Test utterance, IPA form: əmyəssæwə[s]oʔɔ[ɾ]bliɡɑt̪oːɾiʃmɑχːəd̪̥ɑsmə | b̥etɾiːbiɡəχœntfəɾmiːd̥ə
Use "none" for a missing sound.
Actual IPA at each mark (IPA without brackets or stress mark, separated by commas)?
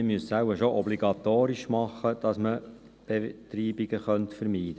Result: ʃ, none